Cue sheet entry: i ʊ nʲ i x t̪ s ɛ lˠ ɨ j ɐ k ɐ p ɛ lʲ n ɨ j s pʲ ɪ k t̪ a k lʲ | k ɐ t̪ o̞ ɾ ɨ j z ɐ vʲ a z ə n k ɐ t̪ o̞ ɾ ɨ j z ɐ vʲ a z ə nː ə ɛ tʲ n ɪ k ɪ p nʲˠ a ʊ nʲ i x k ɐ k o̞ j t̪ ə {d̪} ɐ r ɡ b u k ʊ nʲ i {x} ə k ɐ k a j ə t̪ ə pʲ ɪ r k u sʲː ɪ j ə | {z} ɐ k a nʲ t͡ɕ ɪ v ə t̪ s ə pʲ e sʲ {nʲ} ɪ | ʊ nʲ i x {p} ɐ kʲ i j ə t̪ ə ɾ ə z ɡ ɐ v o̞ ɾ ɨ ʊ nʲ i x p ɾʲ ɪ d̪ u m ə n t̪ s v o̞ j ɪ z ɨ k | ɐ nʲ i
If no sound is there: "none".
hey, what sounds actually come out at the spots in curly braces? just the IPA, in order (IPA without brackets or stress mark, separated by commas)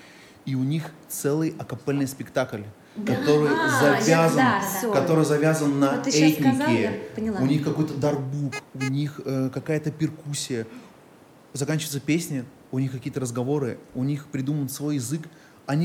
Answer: d̪, x, z, nʲ, k